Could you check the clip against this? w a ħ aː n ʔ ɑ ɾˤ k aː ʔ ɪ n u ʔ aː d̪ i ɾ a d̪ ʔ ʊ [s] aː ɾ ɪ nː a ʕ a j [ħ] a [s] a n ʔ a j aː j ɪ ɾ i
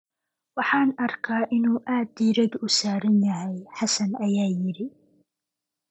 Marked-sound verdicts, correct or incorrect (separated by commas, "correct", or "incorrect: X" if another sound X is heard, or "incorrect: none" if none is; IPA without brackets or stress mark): correct, correct, correct